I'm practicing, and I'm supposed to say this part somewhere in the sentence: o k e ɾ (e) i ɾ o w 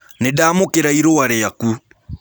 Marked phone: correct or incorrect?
incorrect